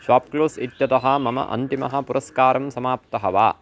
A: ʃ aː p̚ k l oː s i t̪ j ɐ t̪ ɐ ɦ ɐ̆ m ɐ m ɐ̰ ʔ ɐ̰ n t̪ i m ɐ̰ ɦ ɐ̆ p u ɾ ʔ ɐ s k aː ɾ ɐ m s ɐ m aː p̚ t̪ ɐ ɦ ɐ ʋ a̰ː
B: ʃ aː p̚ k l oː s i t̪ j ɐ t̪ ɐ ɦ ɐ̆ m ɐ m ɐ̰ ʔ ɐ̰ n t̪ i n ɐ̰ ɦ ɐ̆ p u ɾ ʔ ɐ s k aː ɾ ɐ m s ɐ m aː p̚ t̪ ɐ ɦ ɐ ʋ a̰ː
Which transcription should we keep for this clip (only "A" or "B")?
A